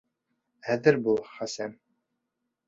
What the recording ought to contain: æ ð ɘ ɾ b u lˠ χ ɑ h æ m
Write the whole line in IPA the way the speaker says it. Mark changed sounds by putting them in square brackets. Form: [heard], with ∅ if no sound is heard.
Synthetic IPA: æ ð ɘ ɾ b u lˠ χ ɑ [s] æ m